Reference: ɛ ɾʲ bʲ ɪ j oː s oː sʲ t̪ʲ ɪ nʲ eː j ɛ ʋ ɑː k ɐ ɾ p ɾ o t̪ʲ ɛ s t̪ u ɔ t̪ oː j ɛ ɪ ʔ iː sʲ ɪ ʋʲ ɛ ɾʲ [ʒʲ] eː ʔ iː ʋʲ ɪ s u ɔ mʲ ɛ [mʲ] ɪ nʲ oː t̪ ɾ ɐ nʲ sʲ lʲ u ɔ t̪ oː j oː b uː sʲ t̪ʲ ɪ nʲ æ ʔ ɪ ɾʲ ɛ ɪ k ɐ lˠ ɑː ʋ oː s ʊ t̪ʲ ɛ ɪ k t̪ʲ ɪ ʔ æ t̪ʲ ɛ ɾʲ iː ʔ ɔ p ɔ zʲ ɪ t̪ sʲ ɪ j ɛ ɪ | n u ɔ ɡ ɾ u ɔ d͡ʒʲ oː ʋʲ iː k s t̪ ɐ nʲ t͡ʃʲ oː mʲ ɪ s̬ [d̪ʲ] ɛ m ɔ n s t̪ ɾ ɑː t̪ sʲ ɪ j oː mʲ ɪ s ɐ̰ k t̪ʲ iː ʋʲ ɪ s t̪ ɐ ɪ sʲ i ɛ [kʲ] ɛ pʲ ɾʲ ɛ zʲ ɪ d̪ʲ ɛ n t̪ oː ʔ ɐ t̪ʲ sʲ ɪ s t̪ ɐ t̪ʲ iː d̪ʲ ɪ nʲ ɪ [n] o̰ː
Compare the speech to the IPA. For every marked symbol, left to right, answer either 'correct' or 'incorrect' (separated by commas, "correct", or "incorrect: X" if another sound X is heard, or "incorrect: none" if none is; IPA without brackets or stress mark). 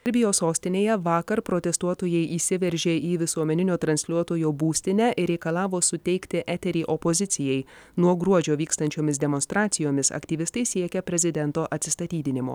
correct, incorrect: nʲ, correct, correct, incorrect: m